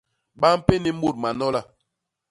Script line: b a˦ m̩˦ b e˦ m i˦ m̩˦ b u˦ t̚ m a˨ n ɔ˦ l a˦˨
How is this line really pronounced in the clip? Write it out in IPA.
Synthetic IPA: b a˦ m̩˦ p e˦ n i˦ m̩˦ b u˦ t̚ m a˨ n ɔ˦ l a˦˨